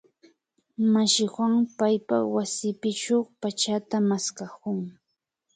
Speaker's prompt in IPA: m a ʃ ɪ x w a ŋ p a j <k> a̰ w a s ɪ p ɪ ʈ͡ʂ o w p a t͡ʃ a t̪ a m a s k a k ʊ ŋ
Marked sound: incorrect: p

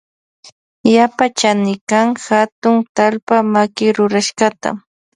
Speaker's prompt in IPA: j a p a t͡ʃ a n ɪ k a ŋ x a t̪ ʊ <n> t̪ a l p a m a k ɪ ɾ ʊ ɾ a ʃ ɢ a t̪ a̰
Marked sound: incorrect: ŋ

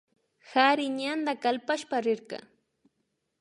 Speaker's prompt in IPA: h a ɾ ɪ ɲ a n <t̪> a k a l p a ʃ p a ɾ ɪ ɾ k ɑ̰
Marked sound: incorrect: d̪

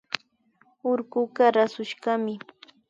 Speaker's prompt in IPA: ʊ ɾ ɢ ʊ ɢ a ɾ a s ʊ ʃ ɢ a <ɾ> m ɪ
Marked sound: incorrect: none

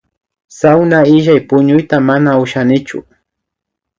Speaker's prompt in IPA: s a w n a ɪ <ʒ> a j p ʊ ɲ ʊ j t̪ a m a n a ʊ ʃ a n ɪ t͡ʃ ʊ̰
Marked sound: correct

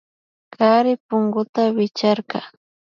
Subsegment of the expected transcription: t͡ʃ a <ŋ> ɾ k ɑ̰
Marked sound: incorrect: none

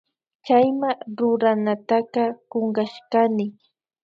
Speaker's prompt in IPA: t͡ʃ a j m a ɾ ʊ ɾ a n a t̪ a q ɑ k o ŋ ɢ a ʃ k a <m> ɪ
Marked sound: incorrect: n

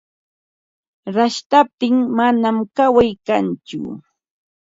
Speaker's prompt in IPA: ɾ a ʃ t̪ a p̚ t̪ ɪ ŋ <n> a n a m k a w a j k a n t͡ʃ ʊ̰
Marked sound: incorrect: m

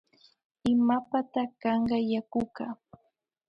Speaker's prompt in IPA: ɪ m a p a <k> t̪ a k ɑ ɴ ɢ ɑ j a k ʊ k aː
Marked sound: incorrect: none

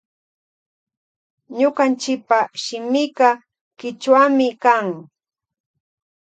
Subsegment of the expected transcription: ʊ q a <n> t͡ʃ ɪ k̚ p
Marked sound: correct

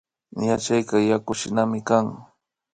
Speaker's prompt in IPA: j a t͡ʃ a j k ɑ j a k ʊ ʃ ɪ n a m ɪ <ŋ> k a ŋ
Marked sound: incorrect: none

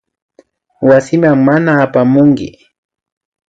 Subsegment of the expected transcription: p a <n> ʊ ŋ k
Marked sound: incorrect: m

